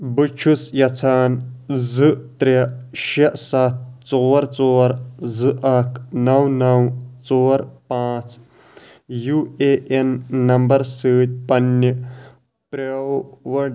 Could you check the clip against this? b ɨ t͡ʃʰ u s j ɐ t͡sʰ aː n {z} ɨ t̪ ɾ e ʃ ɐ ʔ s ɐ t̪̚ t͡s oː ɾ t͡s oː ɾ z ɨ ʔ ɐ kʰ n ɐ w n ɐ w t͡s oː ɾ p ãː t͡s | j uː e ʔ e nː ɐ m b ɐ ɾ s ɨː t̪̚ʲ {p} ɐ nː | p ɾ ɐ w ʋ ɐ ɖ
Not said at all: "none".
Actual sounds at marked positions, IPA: z, p

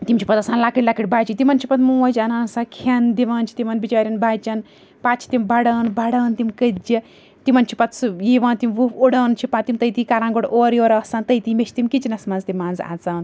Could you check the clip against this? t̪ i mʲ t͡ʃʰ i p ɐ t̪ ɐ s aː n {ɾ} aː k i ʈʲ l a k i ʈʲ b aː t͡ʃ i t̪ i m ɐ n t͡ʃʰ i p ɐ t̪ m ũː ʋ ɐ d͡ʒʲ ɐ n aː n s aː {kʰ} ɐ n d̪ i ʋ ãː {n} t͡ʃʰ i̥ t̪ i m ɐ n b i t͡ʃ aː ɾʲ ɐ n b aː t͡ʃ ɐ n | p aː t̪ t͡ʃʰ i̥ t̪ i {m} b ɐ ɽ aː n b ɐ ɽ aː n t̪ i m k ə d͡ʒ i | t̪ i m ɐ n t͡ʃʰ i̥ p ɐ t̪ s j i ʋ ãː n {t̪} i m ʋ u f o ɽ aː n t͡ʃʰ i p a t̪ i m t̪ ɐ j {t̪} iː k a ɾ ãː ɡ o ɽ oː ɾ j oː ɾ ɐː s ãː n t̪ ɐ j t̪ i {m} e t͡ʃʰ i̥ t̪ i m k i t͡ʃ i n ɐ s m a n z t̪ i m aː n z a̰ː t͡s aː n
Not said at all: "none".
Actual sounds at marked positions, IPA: l, kʰ, n, m, t̪, t̪, m

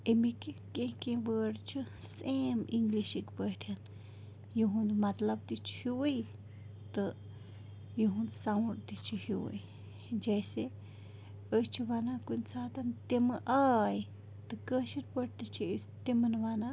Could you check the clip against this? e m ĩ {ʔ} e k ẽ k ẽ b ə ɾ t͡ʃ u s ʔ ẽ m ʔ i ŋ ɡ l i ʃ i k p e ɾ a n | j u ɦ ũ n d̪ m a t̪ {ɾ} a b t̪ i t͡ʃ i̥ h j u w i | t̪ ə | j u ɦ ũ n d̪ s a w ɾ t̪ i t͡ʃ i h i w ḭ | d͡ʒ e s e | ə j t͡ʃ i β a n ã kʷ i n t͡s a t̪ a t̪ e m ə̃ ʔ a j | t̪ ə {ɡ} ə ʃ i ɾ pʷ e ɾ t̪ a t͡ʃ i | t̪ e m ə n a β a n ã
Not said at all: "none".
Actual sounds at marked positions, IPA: k, l, k

